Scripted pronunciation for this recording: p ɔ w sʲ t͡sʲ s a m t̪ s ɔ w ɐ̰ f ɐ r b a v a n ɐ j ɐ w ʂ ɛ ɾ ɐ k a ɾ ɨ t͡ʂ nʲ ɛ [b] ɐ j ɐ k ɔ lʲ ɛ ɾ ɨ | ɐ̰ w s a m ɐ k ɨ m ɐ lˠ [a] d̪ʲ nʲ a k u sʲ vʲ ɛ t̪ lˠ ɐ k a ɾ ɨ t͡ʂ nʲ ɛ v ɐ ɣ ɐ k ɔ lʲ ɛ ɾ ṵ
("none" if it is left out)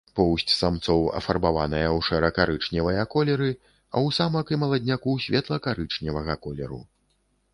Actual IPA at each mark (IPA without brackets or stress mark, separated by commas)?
v, ɐ